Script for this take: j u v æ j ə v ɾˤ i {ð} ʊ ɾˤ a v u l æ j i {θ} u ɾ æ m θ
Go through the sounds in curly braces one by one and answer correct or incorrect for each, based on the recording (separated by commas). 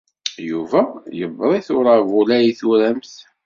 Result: incorrect, correct